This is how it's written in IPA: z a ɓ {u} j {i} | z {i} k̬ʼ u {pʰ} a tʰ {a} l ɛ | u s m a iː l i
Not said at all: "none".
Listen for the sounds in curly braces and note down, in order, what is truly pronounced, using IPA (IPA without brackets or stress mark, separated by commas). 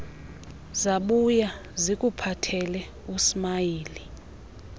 u, a, i, pʰ, ɛ